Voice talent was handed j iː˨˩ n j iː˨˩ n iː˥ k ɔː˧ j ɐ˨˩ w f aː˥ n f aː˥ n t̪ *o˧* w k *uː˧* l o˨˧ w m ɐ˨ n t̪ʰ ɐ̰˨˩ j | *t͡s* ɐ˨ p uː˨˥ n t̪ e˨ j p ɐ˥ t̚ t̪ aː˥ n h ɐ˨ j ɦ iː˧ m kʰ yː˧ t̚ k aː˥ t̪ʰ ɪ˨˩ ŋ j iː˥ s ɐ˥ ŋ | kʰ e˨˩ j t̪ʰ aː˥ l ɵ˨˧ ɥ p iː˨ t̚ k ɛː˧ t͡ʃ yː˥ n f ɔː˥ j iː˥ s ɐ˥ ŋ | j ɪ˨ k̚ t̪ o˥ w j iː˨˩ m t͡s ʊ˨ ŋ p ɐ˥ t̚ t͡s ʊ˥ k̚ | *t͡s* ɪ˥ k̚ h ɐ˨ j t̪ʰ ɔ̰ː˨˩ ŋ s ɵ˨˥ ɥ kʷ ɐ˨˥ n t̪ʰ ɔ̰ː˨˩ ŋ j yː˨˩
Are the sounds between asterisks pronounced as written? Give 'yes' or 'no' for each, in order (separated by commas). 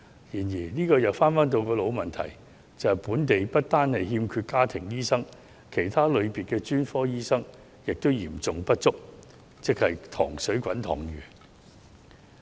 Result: yes, no, yes, yes